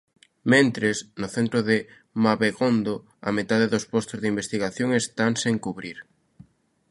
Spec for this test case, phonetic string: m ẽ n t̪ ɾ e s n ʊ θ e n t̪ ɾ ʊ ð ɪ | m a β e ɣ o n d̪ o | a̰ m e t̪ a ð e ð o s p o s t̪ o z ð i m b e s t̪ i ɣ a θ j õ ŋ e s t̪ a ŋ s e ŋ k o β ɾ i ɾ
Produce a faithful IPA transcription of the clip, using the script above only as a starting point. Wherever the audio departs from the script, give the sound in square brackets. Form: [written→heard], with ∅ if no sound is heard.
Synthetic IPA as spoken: m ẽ n t̪ ɾ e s n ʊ θ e n t̪ ɾ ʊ ð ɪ | m a β e ɣ o n d̪ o | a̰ m e t̪ a ð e ð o s p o s t̪ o z ð i m b e s t̪ i ɣ a θ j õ ŋ e s t̪ a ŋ s e ŋ k [o→u] β ɾ i ɾ